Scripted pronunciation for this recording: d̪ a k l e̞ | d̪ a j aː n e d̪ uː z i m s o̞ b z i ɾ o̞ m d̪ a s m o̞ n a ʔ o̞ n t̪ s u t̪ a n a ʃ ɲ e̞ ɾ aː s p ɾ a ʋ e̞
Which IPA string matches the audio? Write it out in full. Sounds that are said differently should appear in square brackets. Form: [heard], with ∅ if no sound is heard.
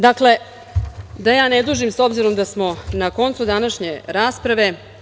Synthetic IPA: d̪ a k l e̞ | d̪ a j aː n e d̪ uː [ʒ] i m s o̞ b z i ɾ o̞ m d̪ a s m o̞ n a [k] o̞ n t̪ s u [d̪] a n a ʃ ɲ e̞ ɾ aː s p ɾ a ʋ e̞